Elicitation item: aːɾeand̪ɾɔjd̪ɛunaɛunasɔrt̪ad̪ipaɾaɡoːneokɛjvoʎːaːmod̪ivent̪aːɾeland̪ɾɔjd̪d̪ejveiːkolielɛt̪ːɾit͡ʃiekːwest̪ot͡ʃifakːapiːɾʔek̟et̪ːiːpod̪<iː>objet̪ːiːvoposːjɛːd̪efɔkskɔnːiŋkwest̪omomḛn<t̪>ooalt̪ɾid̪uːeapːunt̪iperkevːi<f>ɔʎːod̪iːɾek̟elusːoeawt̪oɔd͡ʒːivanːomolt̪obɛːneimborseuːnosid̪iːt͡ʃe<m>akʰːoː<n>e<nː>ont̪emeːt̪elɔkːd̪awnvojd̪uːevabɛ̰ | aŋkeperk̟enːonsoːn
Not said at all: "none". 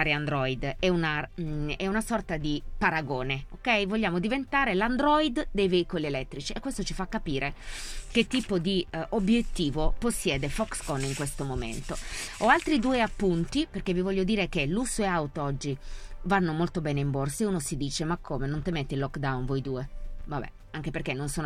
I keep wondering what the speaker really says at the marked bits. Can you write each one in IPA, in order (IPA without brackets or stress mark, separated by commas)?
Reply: i, t̪, v, m, m, n